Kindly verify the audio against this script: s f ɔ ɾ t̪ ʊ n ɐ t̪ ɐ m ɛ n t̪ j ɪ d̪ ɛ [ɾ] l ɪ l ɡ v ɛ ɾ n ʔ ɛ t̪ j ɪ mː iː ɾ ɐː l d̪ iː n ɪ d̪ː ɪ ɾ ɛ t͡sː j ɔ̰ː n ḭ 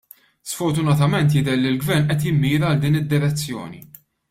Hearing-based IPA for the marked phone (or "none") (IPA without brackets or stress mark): ɾ